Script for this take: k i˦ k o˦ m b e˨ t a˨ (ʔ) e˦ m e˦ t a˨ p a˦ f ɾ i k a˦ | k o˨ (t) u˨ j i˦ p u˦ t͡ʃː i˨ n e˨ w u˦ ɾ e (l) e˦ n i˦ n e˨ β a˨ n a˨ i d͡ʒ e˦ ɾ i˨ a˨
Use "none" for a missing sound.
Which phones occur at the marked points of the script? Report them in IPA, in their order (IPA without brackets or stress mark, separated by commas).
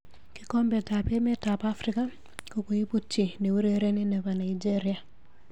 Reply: p, k, ɾ